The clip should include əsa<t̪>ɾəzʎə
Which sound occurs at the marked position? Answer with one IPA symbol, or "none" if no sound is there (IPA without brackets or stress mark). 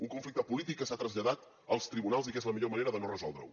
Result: t̪